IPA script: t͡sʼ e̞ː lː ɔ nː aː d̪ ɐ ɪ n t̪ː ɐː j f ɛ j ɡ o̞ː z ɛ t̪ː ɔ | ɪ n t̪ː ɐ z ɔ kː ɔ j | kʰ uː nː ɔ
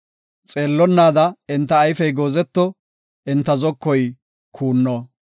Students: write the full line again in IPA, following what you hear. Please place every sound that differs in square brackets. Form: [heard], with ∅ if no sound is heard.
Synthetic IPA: t͡sʼ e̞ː lː ɔ nː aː d̪ ɐ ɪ n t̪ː ɐː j f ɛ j ɡ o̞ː z ɛ t̪ː ɔ | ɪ n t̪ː ɐ z ɔ kː ɔ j | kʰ uː nː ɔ